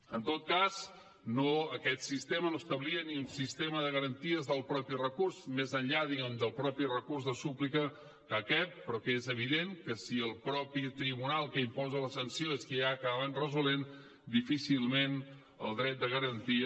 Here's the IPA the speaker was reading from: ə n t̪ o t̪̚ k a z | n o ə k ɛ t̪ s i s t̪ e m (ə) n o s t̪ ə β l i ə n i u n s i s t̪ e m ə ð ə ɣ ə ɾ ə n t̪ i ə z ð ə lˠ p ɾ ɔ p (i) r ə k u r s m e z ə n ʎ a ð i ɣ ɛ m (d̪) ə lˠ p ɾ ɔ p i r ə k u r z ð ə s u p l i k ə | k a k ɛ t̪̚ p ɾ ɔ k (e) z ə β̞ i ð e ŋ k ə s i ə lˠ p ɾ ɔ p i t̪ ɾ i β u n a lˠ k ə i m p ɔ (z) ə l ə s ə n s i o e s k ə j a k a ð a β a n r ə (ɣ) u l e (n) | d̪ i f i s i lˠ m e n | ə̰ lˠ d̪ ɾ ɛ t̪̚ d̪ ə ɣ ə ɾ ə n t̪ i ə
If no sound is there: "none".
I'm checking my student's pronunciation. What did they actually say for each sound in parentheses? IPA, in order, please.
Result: ə, i, d̪, e, z, z, n

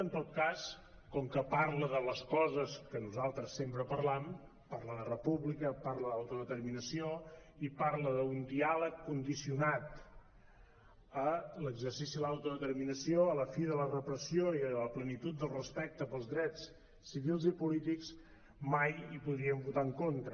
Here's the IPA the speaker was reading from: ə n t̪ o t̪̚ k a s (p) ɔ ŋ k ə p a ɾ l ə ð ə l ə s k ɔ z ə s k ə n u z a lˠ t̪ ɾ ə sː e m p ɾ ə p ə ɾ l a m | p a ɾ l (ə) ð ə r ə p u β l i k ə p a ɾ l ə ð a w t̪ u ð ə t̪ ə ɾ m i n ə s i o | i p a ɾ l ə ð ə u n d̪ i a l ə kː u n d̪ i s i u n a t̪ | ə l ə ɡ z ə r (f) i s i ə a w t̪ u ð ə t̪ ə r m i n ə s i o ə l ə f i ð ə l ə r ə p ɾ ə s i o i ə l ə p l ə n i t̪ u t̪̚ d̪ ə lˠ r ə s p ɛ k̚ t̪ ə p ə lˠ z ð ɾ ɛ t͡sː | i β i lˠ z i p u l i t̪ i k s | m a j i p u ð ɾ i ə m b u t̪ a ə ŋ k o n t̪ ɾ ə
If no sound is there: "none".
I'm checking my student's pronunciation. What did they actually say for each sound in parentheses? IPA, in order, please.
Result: k, ə, s

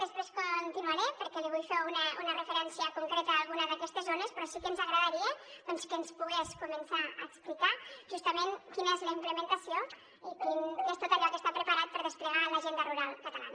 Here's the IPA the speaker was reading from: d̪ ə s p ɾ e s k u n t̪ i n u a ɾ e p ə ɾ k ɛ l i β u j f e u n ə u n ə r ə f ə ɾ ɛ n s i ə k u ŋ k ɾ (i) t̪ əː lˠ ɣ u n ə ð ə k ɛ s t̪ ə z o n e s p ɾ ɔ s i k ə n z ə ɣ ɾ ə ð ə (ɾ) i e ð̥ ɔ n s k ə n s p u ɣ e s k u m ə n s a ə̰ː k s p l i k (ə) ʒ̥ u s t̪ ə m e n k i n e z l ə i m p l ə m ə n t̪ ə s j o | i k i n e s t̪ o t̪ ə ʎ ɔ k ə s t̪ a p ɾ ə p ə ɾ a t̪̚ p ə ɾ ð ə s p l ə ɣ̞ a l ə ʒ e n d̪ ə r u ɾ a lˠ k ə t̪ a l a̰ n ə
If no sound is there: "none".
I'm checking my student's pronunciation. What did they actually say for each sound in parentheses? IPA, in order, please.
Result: e, ɾ, a

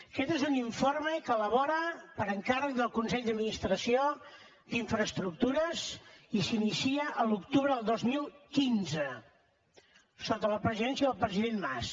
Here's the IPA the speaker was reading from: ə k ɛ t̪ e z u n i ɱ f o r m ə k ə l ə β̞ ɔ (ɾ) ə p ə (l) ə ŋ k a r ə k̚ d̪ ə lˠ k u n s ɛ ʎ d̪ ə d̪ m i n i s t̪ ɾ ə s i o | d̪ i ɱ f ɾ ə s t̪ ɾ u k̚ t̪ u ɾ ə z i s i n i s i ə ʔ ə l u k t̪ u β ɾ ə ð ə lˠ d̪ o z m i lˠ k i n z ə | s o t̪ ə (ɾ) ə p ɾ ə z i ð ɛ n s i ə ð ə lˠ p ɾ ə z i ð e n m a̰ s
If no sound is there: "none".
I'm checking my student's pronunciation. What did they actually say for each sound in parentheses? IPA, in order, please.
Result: ɾ, ɾ, l

